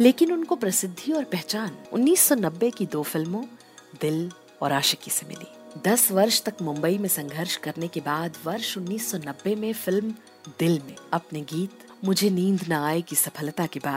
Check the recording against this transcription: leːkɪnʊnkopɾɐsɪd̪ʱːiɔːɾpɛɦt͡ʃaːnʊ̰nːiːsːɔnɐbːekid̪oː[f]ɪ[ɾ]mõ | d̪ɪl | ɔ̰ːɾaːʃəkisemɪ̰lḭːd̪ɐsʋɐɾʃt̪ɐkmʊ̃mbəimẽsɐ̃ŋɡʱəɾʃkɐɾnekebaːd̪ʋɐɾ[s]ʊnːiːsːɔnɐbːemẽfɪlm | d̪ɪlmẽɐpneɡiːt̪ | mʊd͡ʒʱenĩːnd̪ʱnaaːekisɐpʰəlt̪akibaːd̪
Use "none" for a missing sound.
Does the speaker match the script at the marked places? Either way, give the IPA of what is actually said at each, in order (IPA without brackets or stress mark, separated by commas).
f, l, ʃ